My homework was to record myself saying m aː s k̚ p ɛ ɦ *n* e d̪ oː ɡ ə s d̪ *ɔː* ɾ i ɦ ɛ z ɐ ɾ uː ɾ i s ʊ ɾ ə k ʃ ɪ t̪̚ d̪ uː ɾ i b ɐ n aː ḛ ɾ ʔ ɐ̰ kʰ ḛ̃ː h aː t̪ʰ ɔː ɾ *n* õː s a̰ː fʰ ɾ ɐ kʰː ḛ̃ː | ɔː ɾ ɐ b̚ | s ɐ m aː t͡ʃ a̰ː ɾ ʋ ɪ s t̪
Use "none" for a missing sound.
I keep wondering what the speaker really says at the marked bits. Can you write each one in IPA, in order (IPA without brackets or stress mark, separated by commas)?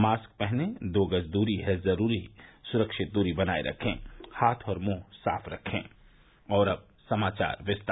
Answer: n, uː, m